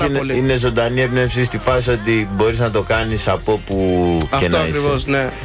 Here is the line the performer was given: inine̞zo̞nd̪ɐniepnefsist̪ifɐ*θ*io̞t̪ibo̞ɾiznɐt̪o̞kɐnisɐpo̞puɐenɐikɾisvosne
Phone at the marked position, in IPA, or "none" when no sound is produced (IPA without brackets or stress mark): s